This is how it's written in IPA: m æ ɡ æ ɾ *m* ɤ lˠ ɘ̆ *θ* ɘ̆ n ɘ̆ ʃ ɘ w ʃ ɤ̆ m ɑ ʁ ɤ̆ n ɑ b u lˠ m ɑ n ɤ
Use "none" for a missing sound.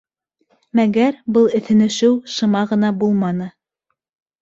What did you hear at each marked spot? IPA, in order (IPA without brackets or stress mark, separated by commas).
b, θ